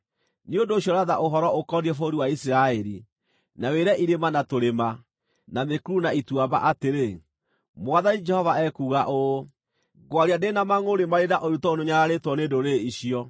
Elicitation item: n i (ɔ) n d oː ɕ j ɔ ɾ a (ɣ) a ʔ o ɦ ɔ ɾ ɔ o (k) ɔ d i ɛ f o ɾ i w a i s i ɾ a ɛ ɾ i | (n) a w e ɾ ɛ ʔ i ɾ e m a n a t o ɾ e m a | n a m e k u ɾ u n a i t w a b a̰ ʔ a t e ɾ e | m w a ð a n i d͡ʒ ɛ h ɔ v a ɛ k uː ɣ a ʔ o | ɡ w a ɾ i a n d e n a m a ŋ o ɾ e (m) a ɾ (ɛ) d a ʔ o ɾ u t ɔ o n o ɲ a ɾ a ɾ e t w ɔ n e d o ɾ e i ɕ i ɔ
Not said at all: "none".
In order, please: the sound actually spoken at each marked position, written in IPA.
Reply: o, ð, k, n, m, e

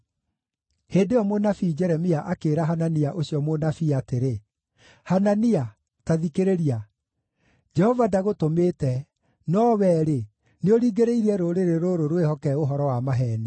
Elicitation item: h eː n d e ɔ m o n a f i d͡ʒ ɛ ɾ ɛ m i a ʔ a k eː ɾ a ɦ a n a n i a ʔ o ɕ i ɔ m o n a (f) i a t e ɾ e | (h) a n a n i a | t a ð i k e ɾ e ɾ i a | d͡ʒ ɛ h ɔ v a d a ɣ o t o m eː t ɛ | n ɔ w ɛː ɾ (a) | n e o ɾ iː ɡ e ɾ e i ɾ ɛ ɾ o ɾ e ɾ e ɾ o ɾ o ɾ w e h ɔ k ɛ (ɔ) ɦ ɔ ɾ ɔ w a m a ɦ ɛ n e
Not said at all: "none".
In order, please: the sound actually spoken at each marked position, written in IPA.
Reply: f, h, e, o

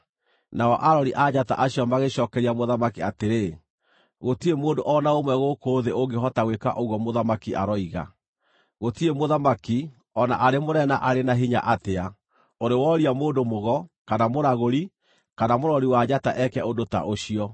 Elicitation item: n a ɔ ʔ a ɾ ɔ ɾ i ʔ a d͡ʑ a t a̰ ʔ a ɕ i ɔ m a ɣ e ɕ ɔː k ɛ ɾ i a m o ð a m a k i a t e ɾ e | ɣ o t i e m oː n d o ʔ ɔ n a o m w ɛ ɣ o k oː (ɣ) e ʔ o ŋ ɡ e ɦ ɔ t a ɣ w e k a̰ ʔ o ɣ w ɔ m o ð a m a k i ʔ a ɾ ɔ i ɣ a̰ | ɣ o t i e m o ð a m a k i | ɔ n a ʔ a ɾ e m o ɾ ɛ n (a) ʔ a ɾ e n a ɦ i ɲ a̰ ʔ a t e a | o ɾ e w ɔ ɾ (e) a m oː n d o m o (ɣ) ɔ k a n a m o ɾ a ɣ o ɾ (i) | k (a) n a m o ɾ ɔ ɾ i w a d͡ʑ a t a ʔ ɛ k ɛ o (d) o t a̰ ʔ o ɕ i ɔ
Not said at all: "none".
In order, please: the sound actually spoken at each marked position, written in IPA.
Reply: ð, a, i, ɣ, i, a, d

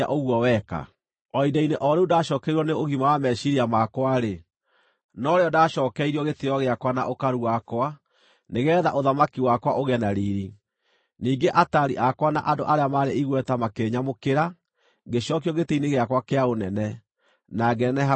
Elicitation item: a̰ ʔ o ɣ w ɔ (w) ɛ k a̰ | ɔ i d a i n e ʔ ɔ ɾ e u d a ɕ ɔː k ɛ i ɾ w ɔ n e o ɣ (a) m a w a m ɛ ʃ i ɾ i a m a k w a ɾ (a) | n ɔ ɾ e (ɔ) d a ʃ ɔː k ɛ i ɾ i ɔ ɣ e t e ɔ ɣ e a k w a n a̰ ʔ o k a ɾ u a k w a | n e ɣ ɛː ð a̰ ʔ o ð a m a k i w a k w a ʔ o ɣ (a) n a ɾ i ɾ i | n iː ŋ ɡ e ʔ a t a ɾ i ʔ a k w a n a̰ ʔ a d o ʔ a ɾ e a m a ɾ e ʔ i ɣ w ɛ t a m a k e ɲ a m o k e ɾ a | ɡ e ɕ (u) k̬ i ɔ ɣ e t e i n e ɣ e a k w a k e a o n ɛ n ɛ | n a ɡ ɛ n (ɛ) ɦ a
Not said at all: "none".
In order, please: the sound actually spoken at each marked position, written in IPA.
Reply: w, i, e, ɔ, ɛ, ɔ, ɛ

